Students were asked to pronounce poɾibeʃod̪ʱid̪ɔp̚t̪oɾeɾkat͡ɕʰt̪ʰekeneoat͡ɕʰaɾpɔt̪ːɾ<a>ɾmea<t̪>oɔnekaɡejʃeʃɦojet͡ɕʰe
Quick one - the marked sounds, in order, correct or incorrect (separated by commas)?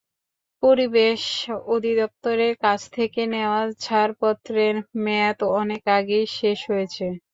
incorrect, correct